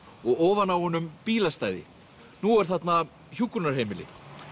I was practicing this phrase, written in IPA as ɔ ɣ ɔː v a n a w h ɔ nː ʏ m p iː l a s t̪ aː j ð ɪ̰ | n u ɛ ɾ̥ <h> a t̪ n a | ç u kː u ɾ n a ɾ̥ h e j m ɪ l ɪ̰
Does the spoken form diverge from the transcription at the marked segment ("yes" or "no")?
yes